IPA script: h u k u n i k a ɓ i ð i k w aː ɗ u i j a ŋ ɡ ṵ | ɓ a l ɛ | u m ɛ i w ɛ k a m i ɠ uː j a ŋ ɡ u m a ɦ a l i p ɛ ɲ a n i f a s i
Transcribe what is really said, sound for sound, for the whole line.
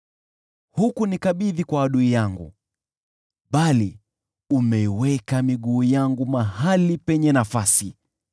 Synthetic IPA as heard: h u k u n i k a ɓ i ð i k w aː ɗ u i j a ŋ ɡ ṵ | ɓ a l i | u m ɛ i w ɛ k a m i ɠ uː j a ŋ ɡ u m a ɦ a l i p ɛ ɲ ɛ n a f a s i